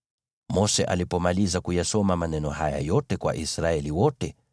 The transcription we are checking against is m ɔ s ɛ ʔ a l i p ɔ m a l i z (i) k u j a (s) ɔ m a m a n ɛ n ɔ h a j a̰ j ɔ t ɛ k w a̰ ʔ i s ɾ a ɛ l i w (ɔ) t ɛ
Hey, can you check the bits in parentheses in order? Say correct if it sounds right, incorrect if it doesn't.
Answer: incorrect: a, correct, correct

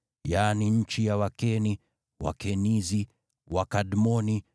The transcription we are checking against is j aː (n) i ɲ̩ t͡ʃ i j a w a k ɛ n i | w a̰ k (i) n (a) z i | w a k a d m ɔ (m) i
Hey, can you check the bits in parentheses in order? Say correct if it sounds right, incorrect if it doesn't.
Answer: correct, incorrect: ɛ, incorrect: i, incorrect: n

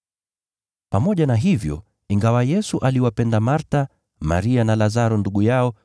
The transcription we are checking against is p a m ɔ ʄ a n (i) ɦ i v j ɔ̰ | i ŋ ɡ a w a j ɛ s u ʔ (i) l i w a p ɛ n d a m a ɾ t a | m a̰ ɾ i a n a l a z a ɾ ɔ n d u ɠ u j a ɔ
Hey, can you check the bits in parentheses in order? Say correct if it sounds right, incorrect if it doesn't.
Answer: incorrect: a, incorrect: a

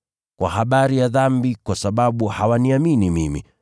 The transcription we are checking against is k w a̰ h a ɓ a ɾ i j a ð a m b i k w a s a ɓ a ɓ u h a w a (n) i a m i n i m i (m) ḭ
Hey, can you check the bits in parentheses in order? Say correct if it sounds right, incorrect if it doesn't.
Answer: correct, correct

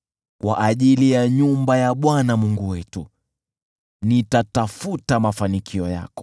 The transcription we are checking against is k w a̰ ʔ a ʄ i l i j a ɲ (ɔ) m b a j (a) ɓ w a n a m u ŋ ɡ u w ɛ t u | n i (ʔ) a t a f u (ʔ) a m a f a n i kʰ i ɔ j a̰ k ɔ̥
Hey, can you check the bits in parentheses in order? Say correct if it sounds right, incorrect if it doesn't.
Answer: incorrect: u, correct, incorrect: t, incorrect: t

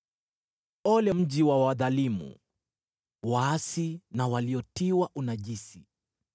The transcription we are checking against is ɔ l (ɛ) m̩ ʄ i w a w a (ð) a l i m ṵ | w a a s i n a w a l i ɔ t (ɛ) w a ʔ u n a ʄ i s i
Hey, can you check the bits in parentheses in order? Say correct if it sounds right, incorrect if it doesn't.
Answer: correct, correct, incorrect: i

